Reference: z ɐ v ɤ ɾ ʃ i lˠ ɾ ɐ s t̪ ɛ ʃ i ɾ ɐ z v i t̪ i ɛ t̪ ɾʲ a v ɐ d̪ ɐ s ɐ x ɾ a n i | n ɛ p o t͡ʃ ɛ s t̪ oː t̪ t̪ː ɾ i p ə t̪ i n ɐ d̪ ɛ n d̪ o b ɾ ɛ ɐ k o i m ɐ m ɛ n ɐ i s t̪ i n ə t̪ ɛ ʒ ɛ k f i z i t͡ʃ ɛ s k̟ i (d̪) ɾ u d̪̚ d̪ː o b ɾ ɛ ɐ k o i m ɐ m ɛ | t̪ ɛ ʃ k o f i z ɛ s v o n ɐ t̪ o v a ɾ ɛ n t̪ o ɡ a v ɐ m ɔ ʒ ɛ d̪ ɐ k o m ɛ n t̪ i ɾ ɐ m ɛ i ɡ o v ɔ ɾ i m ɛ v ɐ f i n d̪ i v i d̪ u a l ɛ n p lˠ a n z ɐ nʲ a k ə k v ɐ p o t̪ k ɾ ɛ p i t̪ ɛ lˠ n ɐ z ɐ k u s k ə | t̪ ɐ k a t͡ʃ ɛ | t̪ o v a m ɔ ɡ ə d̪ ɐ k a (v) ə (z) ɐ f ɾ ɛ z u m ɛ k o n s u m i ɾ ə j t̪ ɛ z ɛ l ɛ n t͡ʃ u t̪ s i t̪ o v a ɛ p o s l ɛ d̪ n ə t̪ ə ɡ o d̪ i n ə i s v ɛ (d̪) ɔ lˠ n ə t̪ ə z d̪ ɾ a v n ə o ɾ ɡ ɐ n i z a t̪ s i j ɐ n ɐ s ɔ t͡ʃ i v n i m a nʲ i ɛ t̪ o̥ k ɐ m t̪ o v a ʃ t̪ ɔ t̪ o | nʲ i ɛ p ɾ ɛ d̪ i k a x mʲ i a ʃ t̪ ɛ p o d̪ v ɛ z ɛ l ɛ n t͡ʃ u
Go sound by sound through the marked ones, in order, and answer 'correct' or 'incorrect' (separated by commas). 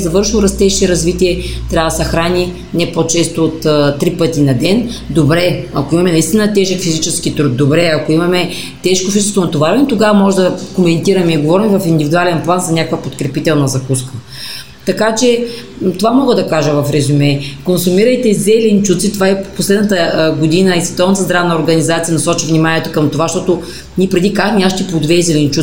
incorrect, incorrect, incorrect, incorrect